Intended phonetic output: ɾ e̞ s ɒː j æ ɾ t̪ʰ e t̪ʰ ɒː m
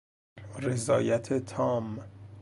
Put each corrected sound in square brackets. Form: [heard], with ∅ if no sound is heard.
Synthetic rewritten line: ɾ e̞ [z] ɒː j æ [∅] t̪ʰ e t̪ʰ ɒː m